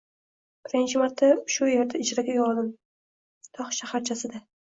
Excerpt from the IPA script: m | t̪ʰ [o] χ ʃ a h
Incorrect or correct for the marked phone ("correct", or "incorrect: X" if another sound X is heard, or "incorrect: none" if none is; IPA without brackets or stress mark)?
incorrect: ɒ